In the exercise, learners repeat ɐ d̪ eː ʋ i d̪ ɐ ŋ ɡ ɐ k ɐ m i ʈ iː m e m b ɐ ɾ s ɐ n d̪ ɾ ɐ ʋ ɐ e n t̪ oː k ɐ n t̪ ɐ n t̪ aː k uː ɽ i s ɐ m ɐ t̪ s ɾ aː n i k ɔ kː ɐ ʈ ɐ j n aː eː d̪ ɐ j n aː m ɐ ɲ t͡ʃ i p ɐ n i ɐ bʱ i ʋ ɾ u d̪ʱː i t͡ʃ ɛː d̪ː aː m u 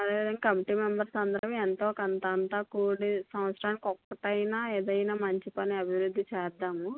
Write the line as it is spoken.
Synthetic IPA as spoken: ɐ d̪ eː ʋ i d̪ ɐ ŋ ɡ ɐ k ɐ m i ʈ iː m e m b ɐ ɾ s ɐ n d̪ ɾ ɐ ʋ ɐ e n t̪ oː k ɐ n t̪ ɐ n t̪ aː k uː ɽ i s ɐ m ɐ t̪ s ɾ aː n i k ɔ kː ɐ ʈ ɐ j n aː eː d̪ ɐ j n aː m ɐ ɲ t͡ʃ i p ɐ n i ɐ bʱ i ʋ ɾ u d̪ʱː i t͡ʃ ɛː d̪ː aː m u